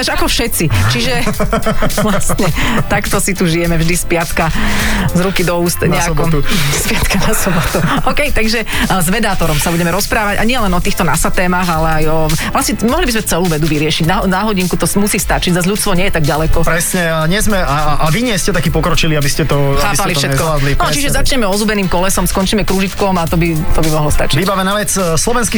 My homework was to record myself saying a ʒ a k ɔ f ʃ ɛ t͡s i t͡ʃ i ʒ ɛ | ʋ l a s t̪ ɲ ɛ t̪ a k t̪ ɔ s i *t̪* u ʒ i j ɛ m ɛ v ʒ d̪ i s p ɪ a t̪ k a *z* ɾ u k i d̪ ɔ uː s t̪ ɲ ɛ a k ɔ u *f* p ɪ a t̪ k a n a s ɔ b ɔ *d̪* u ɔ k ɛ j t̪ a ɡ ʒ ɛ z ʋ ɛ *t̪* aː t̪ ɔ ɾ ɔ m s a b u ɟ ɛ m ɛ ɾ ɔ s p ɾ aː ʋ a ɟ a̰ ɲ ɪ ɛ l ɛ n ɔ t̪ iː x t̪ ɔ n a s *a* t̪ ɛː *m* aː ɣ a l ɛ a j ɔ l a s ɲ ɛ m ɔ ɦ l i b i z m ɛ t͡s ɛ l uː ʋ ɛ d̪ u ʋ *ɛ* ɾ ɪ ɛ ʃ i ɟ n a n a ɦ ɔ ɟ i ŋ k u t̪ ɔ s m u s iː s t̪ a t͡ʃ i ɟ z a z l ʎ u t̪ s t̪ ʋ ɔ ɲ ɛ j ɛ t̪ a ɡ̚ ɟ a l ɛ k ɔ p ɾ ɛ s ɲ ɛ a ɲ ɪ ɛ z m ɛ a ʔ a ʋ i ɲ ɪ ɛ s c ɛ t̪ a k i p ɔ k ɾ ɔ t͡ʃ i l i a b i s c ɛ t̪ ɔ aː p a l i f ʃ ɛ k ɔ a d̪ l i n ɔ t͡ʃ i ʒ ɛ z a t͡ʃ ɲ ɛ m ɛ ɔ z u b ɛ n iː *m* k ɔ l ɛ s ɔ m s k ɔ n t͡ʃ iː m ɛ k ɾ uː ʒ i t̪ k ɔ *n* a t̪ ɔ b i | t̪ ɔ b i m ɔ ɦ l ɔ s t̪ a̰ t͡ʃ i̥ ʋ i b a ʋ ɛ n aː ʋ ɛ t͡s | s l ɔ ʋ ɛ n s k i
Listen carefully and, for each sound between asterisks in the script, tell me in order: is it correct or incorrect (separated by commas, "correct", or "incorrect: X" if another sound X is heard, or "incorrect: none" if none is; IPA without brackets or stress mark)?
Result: correct, correct, incorrect: s, incorrect: t̪, incorrect: d̪, correct, correct, incorrect: i, correct, incorrect: m